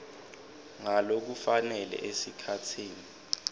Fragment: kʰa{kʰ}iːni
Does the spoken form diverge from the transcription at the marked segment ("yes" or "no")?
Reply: yes